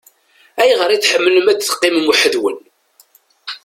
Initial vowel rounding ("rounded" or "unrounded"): unrounded